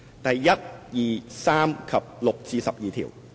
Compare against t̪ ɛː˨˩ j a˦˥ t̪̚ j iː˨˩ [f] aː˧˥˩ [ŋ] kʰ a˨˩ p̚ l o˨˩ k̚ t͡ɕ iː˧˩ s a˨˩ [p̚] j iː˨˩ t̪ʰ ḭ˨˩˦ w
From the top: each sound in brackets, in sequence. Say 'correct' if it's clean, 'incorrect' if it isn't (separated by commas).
incorrect, incorrect, correct